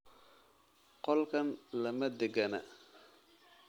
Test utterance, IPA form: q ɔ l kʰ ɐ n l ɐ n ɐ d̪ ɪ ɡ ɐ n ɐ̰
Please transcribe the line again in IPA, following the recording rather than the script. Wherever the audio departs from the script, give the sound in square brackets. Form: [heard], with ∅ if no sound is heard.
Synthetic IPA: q ɔ l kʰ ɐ n l ɐ [m] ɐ d̪ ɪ ɡ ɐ n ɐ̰